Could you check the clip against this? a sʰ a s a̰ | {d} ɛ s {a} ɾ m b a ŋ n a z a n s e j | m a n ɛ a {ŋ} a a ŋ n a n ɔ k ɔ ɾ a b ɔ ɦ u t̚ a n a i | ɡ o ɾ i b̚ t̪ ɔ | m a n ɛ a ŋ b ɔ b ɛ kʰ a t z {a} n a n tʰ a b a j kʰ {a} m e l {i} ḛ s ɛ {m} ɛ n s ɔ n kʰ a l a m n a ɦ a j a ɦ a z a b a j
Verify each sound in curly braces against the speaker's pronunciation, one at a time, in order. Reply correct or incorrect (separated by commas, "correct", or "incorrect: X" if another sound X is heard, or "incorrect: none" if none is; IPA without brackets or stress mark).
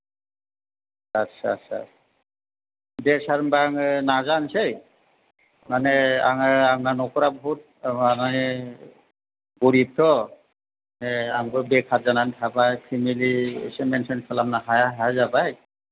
correct, correct, correct, correct, incorrect: i, correct, correct